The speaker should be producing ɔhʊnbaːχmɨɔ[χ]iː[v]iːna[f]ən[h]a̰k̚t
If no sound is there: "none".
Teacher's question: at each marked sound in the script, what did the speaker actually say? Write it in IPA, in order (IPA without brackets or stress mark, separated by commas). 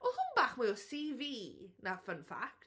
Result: s, v, f, f